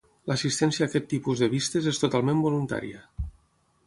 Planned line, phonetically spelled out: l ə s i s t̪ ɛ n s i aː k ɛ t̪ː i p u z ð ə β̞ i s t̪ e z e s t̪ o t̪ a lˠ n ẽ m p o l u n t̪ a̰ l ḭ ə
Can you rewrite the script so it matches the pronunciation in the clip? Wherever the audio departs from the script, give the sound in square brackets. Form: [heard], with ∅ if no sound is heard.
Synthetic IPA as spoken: l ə s i s t̪ ɛ n s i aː k ɛ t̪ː i p u z ð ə β̞ i s t̪ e z e s t̪ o t̪ a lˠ [m] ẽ m [b] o l u n t̪ a̰ [ɾ] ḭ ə